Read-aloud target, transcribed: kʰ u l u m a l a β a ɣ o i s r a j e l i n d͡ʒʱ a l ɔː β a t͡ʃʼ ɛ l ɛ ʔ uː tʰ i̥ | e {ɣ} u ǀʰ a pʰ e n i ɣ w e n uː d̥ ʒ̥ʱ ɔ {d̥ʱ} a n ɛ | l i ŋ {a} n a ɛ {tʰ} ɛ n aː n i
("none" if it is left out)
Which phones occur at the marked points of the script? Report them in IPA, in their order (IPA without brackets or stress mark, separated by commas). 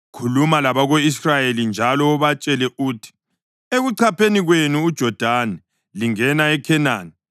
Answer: ɣ, d̥ʱ, ɛ, kʰ